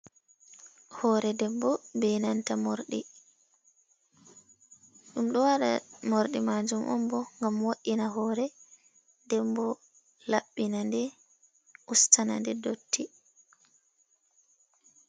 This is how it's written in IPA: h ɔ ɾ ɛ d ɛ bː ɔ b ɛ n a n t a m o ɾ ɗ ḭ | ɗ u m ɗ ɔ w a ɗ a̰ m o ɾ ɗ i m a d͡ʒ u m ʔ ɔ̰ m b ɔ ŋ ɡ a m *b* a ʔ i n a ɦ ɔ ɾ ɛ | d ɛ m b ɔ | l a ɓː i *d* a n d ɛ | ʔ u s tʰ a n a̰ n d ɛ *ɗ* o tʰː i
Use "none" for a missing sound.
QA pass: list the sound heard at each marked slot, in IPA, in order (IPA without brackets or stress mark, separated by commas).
w, n, d